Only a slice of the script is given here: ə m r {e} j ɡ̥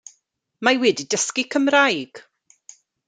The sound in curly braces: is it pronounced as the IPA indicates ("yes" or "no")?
no